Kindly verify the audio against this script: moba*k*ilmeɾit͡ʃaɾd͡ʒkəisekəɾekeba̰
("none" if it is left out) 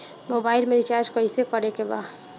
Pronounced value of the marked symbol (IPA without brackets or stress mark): none